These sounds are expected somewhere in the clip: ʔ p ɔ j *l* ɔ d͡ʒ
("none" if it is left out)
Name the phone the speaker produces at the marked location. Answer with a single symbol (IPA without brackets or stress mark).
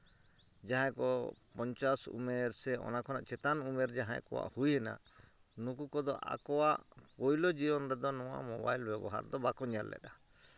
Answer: l